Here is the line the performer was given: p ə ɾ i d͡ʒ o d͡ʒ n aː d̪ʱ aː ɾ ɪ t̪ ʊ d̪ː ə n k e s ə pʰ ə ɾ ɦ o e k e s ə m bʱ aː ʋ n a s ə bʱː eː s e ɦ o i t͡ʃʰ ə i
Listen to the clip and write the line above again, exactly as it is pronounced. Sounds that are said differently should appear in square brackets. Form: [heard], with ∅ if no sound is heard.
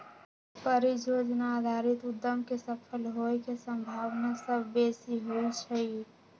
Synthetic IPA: p ə ɾ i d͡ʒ o d͡ʒ n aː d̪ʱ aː ɾ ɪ t̪ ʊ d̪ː ə [m] k e s ə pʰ ə [l] ɦ o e k e s ə m bʱ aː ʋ n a s ə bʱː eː s [i] ɦ o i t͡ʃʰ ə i